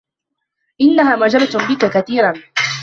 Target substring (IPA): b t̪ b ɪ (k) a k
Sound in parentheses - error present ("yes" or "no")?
no